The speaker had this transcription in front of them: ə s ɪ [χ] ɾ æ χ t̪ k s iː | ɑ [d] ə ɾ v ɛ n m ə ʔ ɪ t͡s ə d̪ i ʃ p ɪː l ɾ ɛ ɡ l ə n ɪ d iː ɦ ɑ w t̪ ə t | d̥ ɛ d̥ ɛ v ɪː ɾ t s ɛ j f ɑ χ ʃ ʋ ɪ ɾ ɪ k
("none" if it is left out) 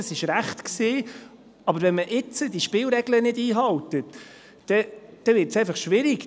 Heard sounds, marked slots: ʃ, b

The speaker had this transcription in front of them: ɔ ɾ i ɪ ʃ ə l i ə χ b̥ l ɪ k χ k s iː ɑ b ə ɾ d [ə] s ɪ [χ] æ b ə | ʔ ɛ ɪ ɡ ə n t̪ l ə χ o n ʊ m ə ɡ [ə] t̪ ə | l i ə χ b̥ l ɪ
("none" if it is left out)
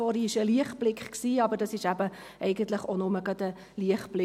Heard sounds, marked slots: ɑ, ʃ, ɑ

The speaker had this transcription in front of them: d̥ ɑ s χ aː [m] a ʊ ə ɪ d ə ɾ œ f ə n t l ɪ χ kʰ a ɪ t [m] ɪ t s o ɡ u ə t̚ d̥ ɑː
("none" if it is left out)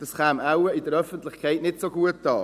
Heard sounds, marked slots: m, n

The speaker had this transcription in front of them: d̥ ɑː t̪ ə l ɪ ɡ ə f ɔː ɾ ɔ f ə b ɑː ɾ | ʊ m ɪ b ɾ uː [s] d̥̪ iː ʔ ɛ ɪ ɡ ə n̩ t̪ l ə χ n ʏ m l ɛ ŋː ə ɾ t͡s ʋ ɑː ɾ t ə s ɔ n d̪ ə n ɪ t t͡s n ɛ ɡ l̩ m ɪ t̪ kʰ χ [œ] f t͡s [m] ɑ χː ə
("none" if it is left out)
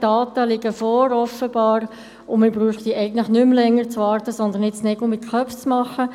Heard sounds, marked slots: χ, œ, m

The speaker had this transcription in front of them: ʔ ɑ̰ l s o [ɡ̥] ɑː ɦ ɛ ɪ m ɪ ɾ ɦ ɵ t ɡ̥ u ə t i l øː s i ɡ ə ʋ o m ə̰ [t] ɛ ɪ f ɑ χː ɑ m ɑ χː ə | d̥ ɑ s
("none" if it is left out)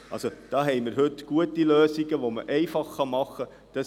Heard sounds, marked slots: d̥, ʔ

